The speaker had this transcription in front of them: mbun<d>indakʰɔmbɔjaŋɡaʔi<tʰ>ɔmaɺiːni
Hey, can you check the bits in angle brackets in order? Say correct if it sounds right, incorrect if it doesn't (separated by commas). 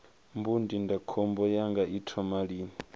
correct, correct